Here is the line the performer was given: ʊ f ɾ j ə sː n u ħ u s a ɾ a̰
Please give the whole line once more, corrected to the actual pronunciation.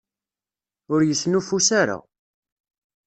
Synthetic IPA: ʊ ɾ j ə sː n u f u s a ɾ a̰